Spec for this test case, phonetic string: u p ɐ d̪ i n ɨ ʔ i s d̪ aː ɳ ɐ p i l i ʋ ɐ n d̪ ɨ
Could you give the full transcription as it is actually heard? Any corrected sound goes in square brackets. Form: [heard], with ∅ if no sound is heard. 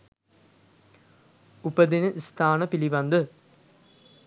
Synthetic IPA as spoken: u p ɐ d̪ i n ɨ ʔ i s [t̪] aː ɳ ɐ p i l i ʋ ɐ n d̪ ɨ